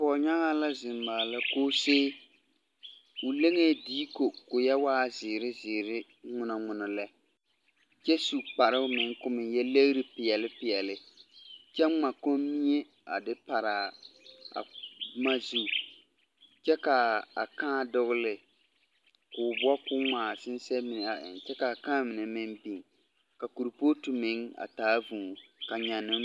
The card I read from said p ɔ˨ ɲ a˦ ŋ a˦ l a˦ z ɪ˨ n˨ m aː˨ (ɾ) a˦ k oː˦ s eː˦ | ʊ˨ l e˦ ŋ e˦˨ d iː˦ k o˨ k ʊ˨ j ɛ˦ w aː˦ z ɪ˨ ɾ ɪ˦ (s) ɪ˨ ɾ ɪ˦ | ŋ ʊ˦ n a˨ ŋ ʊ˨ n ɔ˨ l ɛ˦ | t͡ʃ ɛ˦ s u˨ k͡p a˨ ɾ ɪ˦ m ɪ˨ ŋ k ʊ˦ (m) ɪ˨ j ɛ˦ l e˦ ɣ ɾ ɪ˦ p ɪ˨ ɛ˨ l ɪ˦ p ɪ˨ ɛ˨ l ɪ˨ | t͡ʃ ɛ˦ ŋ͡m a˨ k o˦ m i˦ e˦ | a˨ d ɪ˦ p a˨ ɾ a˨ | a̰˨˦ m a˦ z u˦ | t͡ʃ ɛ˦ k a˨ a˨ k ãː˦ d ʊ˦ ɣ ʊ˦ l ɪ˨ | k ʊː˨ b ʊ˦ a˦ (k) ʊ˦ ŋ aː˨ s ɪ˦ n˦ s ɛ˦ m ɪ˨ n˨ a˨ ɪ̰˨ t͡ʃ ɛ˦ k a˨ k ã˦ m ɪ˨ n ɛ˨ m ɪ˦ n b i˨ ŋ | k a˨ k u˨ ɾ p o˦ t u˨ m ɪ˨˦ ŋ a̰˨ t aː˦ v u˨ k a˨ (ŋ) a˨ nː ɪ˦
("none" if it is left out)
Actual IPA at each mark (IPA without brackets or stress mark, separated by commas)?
l, z, m, k, ɲ